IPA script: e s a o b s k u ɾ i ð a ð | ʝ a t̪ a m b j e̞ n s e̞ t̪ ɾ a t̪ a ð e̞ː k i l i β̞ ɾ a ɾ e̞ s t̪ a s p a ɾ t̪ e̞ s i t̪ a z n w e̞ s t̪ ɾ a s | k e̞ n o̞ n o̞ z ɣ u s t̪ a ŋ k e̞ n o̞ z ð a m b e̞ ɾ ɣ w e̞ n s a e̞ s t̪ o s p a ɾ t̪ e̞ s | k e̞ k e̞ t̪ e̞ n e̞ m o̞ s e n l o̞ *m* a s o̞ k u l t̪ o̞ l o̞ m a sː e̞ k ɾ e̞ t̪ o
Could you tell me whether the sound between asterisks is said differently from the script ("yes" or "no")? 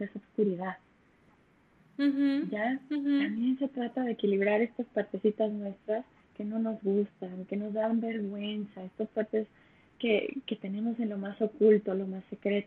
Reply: no